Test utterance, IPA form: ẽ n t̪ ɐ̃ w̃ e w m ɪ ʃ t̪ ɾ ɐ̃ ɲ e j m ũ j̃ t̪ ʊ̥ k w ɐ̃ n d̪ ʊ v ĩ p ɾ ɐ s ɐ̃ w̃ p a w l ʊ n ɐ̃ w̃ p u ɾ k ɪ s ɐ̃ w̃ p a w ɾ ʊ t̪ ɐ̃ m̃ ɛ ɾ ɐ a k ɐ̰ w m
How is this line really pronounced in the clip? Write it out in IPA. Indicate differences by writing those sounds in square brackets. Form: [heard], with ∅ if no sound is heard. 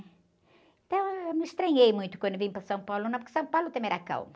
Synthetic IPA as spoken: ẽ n t̪ ɐ̃ w̃ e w m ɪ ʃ t̪ ɾ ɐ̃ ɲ e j m ũ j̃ t̪ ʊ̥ k w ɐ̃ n d̪ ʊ v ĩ p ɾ ɐ s ɐ̃ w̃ p a w l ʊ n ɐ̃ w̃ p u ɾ k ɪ s ɐ̃ w̃ p a w [l] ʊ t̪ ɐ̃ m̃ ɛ ɾ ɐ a k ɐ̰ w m